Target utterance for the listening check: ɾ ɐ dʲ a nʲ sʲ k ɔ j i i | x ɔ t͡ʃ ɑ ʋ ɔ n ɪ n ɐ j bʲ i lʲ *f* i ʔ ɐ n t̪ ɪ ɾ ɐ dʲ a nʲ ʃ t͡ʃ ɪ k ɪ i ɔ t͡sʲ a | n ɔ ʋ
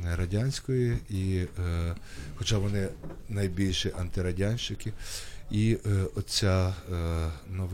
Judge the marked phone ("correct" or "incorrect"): incorrect